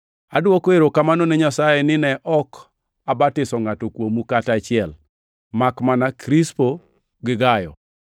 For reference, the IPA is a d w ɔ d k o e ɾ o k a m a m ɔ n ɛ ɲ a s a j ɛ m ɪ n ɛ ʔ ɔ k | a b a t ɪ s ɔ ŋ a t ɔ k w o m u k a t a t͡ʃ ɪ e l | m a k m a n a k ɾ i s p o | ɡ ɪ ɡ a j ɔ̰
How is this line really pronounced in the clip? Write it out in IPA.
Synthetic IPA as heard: a d w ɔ k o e ɾ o k a m a n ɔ n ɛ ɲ a s a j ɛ n ɪ n ɛ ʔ ɔ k | a b a t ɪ s ɔ ŋ a t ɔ k w o m u k a t a t͡ʃ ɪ ɛ l | m a k m a n a k ɾ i s p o | ɡ ɪ ɡ a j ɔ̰